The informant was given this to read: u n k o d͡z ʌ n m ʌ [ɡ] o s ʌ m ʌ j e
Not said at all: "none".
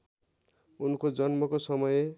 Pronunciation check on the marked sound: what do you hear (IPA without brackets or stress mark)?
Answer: k